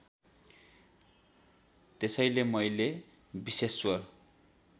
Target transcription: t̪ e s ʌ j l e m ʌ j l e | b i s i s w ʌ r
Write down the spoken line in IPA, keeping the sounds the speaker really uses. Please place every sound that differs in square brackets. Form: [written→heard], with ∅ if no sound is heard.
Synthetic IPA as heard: t̪ e s ʌ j l e m ʌ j l e | b i s [i→e] s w ʌ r